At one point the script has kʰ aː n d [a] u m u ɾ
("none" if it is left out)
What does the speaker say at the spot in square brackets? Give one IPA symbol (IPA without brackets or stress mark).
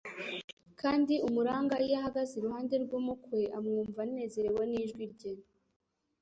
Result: i